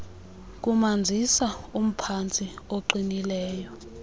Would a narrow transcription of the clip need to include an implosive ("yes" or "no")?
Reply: no